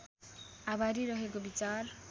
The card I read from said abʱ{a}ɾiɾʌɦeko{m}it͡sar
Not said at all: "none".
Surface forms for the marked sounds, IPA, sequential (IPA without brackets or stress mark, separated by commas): a, b